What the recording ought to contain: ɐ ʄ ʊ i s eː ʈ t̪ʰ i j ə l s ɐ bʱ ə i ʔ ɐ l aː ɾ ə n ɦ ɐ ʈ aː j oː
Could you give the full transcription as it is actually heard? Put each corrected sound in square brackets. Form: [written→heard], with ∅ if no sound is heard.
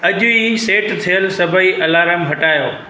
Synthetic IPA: ɐ ʄ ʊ i s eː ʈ t̪ʰ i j ə l s ɐ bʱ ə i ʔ ɐ l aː ɾ ə [n→m] ɦ ɐ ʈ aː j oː